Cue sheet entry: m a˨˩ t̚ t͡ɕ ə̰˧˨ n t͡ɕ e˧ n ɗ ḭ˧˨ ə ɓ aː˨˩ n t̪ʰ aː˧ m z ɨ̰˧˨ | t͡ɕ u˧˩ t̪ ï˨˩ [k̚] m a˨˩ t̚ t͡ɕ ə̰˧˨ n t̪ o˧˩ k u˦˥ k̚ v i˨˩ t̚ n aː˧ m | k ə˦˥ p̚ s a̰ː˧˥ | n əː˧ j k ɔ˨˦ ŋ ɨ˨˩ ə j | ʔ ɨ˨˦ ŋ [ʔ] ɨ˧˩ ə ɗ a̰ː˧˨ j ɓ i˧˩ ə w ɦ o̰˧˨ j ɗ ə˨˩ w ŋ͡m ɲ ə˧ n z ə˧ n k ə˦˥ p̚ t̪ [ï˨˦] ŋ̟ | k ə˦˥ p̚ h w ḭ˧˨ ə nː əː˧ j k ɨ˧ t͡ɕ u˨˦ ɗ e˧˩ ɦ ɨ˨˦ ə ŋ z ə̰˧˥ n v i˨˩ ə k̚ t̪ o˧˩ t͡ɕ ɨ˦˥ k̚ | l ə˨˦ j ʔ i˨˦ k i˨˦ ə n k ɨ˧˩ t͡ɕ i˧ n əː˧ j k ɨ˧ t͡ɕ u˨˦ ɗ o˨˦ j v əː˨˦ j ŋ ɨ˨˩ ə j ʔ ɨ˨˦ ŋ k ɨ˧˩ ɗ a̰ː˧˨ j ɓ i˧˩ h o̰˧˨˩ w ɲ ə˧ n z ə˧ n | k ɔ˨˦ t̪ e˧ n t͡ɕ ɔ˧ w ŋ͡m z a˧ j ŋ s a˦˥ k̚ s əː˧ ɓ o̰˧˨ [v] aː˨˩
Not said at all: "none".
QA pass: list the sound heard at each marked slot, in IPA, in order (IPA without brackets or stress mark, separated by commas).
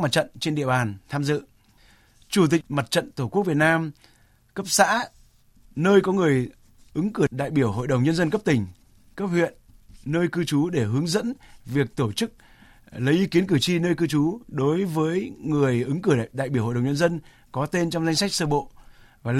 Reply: k̚, k, ï˨˩, v